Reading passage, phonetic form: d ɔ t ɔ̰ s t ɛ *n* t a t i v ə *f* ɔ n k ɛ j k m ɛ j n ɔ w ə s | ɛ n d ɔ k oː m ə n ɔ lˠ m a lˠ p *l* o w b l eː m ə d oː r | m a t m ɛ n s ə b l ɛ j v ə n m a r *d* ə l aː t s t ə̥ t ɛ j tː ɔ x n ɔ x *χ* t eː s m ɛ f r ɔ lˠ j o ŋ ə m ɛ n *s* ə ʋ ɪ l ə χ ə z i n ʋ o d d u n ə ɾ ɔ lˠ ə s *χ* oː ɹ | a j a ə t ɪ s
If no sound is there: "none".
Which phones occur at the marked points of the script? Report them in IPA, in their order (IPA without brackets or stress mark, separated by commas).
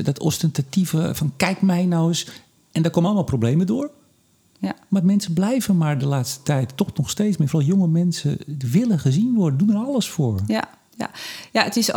n, f, r, d, s, s, f